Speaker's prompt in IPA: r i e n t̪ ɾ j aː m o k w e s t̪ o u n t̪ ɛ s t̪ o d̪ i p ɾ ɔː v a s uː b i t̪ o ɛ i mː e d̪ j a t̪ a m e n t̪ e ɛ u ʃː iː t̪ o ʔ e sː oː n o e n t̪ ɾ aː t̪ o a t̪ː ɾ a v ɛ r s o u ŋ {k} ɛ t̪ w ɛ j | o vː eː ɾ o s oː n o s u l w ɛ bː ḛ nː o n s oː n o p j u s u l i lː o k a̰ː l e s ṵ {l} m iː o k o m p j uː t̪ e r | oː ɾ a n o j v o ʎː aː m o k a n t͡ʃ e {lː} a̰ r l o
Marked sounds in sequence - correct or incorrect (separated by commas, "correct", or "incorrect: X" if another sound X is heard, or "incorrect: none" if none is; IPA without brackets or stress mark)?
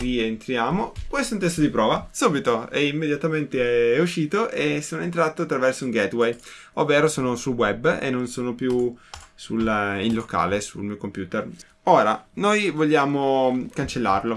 incorrect: ɡ, correct, correct